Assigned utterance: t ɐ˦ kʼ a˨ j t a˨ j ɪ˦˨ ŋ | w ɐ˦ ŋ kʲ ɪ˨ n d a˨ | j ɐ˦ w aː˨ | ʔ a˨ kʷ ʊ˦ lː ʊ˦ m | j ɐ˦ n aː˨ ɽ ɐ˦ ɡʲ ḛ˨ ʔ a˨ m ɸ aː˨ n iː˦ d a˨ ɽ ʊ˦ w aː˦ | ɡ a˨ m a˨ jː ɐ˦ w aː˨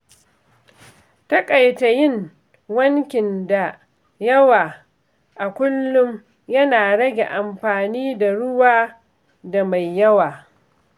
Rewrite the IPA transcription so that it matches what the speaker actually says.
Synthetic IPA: t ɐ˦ kʼ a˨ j t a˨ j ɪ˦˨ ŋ | w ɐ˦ ŋ kʲ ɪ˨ n d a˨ | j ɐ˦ w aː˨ | ʔ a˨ kʷ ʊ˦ lː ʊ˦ m | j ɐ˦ n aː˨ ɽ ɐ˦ ɡʲ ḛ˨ ʔ a˨ m ɸ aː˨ n iː˦ d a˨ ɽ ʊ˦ w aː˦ | d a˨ m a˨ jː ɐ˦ w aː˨